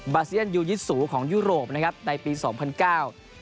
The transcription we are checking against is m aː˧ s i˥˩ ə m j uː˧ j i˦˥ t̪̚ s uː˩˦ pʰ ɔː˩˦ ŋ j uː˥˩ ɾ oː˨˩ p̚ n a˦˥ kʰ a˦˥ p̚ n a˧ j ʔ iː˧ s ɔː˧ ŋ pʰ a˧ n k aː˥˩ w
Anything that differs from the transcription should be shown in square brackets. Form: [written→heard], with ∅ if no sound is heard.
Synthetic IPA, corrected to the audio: [m→b] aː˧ s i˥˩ ə [m→n] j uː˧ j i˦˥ t̪̚ s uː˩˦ [pʰ→kʰ] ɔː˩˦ ŋ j uː˥˩ ɾ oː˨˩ p̚ n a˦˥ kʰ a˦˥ p̚ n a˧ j [ʔ→p] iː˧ s [ɔː˧→ɔː˩˦] ŋ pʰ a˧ n k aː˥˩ w